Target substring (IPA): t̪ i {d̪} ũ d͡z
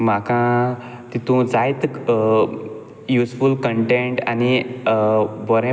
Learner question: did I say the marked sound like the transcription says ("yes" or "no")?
no